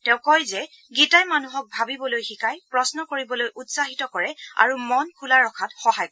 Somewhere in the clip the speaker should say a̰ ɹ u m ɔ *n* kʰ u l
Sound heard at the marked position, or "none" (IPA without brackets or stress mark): n